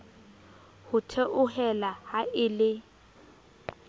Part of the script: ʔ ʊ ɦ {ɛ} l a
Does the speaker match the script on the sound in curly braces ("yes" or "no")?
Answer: yes